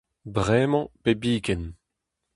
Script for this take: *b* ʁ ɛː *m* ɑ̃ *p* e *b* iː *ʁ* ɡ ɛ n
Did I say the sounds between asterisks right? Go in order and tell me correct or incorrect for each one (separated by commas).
correct, correct, correct, correct, incorrect